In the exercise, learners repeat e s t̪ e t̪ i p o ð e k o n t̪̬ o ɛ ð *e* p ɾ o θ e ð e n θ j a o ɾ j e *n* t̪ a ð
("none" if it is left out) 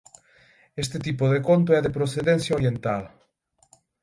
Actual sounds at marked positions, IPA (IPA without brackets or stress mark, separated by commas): e, n